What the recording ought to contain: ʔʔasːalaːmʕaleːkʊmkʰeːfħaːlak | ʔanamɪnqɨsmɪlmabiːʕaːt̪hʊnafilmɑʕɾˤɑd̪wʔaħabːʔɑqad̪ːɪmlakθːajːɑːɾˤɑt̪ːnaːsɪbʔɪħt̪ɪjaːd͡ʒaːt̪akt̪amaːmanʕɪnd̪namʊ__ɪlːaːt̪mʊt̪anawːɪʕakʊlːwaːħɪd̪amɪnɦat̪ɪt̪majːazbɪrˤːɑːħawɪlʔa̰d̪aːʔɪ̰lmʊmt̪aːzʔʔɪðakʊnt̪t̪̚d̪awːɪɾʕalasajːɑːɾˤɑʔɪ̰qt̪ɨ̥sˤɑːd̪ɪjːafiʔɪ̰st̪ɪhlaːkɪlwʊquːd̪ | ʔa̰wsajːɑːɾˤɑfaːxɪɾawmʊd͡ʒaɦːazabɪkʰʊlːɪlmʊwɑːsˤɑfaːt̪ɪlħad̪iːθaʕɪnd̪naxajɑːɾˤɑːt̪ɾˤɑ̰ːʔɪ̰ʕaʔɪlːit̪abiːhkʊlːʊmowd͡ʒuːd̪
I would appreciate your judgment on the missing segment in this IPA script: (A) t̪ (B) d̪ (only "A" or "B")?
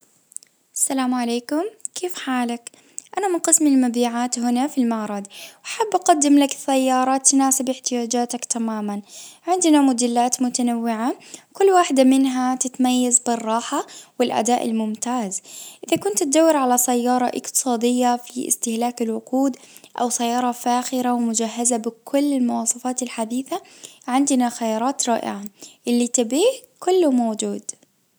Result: B